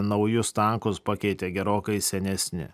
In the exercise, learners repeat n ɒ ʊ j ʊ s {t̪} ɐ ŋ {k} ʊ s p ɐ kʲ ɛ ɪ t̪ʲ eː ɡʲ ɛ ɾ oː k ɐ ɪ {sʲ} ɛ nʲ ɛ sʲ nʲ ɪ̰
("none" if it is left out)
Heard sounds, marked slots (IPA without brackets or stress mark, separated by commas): t̪, k, sʲ